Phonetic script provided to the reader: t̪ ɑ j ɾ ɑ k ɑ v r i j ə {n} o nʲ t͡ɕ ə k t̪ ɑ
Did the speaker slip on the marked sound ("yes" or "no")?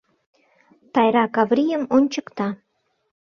yes